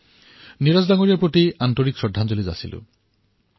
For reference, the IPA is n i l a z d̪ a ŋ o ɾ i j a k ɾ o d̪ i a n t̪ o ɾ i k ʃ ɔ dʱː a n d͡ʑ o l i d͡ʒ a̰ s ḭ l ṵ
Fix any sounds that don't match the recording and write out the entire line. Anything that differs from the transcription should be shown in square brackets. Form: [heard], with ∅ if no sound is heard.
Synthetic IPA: n i [ɾ] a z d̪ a ŋ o ɾ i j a [p] ɾ o [t̪] i a n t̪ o ɾ i k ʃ ɔ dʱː a n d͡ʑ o l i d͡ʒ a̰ s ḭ l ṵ